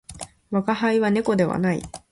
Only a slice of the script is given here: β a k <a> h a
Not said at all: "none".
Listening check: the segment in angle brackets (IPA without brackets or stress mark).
a